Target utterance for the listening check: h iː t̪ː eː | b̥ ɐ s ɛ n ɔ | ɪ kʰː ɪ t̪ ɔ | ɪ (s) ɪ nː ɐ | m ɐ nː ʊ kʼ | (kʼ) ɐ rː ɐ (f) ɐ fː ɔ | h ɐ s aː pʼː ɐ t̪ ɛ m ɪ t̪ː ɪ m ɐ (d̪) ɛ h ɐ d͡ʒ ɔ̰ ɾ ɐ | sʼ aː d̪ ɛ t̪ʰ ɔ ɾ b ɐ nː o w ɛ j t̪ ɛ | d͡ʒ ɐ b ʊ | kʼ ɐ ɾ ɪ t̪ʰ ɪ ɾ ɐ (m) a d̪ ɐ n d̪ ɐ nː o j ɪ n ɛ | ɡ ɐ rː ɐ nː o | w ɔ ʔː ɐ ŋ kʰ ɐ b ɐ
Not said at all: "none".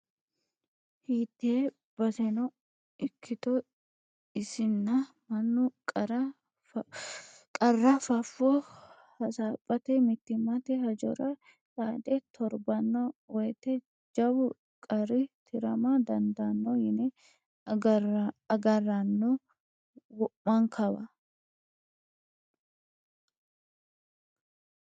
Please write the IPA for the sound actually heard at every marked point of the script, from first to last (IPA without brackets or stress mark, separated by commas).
s, kʼ, f, t̪, m